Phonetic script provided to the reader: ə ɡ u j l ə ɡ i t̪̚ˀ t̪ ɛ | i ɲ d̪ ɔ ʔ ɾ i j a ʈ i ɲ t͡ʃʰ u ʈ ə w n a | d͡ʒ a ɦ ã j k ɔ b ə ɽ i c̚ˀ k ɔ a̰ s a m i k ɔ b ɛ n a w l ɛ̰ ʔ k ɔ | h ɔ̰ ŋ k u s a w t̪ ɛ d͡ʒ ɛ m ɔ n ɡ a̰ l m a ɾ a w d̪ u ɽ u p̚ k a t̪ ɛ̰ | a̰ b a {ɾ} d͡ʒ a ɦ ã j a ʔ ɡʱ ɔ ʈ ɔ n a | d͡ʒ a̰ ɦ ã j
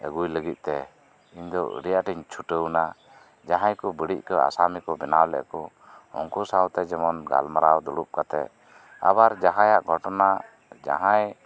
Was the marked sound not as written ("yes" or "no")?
no